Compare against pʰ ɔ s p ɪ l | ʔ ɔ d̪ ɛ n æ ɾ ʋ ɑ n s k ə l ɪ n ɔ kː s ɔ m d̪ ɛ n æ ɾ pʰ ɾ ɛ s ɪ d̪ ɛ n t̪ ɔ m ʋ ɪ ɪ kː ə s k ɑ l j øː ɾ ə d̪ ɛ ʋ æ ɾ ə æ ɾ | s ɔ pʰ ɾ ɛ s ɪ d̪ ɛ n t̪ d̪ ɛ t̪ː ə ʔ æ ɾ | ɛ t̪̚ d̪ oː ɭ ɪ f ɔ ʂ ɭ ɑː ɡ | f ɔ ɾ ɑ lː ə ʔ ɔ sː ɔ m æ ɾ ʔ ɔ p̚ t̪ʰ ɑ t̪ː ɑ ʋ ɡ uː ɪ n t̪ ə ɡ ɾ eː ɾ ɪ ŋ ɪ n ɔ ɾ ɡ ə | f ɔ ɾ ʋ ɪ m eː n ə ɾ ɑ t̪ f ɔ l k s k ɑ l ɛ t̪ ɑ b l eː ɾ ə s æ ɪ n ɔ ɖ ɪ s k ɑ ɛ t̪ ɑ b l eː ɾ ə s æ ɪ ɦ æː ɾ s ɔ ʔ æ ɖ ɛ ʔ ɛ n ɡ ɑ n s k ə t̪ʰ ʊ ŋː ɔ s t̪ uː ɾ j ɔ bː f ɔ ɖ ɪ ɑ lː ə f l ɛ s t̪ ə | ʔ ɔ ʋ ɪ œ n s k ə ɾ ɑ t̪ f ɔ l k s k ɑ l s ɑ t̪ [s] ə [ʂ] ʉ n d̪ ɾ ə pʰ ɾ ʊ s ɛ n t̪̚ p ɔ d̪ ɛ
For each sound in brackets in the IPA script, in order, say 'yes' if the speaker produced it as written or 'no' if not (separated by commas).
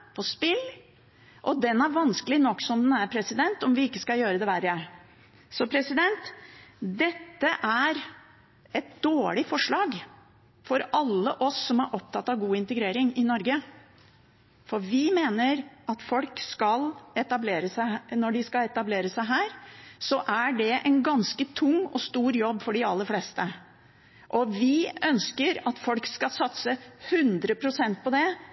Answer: yes, no